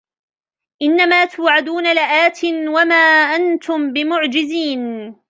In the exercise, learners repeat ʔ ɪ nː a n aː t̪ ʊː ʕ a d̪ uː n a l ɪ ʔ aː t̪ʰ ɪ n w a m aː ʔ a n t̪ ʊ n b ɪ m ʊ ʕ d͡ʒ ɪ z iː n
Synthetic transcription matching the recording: ʔ ɪ nː a m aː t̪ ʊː ʕ a d̪ uː n a l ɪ ʔ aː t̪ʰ ɪ n w a m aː ʔ a n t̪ ʊ m b ɪ m ʊ ʕ d͡ʒ ɪ z iː n